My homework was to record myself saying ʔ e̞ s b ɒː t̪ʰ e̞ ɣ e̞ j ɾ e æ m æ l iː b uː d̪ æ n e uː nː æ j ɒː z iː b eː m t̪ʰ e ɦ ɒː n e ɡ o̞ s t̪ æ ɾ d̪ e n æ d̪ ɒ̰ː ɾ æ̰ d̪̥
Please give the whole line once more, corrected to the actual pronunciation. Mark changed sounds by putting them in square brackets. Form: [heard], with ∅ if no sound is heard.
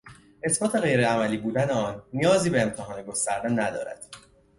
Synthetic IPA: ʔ e̞ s b ɒː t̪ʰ e̞ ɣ e̞ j ɾ e æ m æ l iː b uː d̪ æ n e [ɒː] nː [i] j ɒː z iː b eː m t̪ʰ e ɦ ɒː n e ɡ o̞ s t̪ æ ɾ d̪ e n æ d̪ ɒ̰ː ɾ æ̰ d̪̥